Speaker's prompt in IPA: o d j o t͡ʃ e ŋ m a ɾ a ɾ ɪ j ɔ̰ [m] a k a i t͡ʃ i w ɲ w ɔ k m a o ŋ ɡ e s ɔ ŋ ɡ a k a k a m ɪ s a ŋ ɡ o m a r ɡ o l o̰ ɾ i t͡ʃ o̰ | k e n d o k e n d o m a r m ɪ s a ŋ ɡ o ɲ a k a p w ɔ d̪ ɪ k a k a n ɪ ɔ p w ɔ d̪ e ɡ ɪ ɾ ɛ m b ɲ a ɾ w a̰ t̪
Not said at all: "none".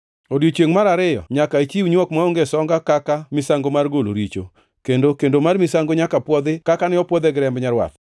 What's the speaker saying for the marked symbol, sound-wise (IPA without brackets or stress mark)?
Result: ɲ